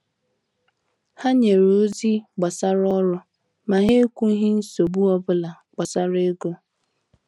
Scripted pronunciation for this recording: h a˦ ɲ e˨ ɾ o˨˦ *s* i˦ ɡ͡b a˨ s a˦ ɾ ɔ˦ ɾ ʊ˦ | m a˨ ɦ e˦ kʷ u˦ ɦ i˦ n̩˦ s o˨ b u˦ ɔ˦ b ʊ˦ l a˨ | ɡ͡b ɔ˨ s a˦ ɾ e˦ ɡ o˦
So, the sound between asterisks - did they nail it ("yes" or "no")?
no